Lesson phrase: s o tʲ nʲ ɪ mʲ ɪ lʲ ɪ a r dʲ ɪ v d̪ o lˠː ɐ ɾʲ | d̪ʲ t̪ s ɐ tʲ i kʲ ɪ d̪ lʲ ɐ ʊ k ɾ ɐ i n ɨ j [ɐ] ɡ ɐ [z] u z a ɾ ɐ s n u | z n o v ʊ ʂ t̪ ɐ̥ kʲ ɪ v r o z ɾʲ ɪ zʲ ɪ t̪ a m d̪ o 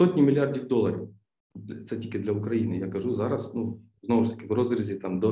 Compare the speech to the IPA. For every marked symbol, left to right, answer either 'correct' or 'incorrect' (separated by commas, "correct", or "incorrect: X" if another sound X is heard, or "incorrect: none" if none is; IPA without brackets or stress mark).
incorrect: a, incorrect: ʐ